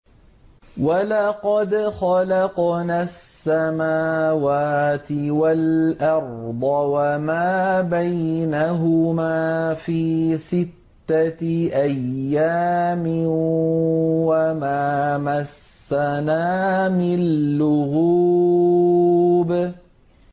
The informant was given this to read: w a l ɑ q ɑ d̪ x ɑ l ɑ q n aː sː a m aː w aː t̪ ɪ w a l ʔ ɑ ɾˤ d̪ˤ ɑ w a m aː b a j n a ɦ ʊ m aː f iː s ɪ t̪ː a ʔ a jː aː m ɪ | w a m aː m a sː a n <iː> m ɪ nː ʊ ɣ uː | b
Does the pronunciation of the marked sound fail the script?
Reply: yes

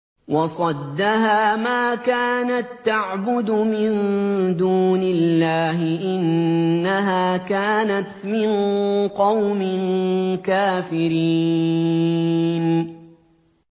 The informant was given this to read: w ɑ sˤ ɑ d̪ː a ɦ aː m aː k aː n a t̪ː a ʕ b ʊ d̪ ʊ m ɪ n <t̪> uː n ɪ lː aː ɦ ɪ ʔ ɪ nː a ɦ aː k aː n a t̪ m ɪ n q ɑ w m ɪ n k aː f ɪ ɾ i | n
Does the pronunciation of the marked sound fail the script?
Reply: yes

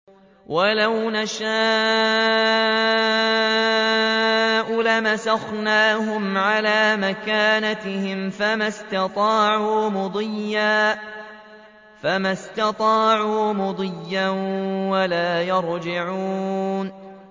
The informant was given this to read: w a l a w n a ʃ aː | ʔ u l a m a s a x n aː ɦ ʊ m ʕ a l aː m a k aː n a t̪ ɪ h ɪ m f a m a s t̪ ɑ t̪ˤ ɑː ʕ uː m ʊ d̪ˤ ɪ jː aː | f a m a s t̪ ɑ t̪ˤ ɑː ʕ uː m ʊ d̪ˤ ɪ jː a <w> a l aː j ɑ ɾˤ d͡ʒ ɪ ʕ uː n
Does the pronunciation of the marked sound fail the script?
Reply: no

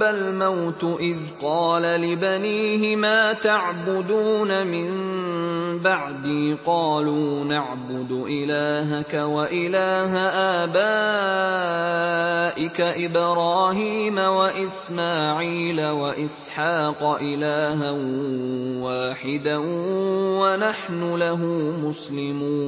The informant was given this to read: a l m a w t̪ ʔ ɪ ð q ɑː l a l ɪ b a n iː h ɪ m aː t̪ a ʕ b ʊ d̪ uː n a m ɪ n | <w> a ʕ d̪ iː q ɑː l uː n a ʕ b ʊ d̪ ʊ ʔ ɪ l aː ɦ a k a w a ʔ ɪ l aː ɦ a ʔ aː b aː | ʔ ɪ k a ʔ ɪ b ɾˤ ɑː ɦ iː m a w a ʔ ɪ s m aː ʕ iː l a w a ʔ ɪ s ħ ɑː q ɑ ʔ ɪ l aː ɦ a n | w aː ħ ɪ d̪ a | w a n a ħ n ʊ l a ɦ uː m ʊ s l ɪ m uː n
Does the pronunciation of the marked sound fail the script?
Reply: yes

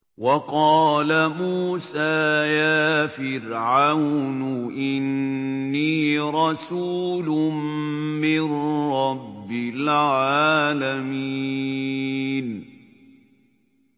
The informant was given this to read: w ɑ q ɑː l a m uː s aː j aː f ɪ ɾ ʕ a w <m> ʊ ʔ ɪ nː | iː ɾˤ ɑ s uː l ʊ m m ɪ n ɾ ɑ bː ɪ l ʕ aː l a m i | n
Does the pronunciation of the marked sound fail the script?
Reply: yes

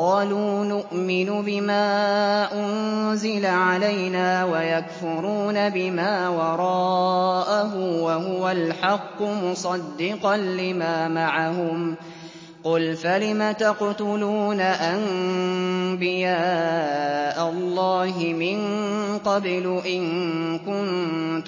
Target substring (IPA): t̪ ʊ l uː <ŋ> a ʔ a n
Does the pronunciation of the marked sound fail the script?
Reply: yes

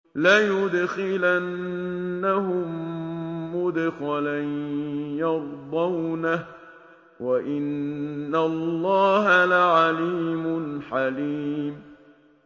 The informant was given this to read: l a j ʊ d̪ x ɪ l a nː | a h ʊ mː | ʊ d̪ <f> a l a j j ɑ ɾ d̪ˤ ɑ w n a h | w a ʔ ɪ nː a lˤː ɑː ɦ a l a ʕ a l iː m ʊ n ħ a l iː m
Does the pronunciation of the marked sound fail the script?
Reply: yes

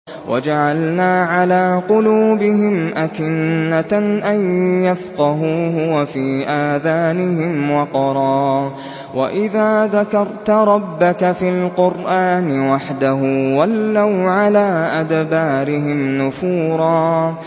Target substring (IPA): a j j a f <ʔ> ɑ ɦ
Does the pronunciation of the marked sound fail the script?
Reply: yes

